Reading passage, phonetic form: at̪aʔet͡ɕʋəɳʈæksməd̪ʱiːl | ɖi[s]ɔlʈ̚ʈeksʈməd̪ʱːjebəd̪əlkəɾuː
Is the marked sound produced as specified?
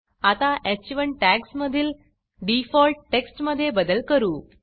no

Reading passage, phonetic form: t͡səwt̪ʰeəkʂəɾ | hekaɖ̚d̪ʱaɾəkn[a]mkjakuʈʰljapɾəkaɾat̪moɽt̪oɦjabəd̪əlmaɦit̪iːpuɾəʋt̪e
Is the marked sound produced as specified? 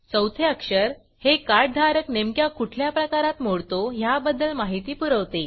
no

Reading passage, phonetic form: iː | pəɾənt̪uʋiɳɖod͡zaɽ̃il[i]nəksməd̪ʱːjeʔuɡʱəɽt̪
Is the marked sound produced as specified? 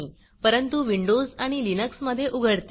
yes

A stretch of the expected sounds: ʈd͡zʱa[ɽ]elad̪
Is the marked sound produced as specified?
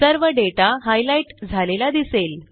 no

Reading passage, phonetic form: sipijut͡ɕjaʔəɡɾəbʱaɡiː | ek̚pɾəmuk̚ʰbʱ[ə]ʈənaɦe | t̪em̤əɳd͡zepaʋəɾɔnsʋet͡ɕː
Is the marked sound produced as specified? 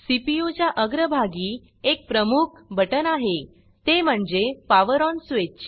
yes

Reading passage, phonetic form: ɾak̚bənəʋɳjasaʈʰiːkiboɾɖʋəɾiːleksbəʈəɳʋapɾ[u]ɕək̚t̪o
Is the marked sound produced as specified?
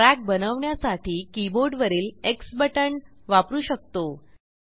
no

